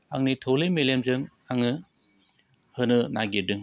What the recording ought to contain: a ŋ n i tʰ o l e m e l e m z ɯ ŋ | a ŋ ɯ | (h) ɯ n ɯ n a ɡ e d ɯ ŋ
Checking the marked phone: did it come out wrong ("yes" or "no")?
no